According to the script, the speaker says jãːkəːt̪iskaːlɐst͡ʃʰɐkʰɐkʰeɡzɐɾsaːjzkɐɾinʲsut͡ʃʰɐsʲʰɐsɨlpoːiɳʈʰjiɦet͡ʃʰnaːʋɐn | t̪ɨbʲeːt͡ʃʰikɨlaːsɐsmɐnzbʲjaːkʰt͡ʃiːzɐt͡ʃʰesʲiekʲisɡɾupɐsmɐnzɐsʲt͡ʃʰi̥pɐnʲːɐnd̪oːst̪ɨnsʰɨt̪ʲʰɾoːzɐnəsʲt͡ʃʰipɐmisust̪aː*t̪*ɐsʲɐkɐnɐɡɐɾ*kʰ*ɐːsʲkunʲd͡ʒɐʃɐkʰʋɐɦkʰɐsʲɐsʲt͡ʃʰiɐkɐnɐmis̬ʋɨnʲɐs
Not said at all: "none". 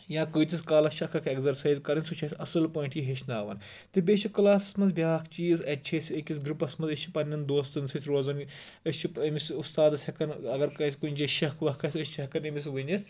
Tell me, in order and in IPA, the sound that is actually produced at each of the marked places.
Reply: d̪, k

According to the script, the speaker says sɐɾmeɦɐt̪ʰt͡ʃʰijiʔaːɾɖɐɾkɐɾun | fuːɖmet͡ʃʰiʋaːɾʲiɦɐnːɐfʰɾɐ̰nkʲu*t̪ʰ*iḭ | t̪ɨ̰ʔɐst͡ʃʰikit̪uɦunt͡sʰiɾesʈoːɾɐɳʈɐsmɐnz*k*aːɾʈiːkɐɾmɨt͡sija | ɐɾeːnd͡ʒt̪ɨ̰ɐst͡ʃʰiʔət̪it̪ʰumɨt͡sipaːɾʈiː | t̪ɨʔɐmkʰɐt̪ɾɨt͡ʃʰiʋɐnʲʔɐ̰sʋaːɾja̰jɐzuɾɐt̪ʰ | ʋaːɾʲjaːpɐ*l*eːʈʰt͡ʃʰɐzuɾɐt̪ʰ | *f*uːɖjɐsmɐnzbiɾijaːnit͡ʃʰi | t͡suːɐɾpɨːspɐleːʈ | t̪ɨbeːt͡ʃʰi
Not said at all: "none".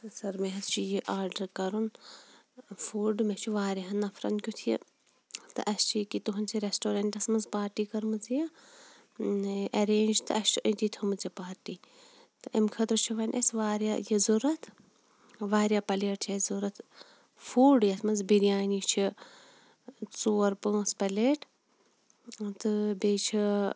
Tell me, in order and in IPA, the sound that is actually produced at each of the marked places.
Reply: t̪ʰ, p, l, f

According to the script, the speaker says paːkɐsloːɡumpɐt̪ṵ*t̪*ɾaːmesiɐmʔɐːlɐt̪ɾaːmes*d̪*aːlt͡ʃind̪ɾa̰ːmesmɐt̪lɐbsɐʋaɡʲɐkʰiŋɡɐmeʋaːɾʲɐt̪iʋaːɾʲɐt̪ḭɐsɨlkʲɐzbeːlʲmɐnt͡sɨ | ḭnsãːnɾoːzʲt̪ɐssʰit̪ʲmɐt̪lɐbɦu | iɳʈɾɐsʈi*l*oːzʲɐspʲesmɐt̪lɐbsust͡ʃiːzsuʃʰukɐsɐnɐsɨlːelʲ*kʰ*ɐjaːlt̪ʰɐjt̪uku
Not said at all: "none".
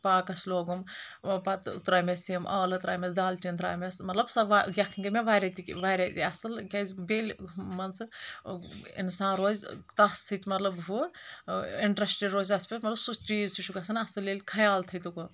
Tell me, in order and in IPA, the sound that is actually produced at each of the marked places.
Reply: t̪, d̪, ɾ, kʰ

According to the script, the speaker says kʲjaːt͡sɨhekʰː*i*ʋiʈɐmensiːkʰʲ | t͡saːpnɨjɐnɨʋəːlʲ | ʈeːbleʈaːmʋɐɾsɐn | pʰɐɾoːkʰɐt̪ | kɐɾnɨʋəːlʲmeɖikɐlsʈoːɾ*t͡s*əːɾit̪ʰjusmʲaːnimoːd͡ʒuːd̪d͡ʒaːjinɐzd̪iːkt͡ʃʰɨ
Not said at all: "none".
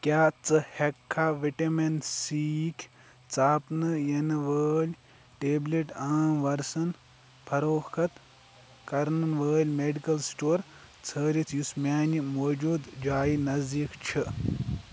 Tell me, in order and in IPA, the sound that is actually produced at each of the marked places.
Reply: a, t͡sʰ

